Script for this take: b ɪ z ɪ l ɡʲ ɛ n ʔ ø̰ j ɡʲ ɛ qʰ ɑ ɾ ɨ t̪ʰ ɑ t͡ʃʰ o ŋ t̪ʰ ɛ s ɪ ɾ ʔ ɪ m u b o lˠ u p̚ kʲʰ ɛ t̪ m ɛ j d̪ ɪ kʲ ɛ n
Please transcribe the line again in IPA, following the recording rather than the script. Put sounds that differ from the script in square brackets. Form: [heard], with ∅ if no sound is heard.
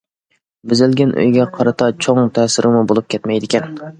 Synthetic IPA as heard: b ɪ z ɪ l ɡʲ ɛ n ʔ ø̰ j ɡʲ ɛ qʰ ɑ ɾ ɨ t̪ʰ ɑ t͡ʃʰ o ŋ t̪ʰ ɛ s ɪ ɾ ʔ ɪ m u b o lˠ u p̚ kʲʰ ɛ t̪ m ɛ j d̪ ɪ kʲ ɛ n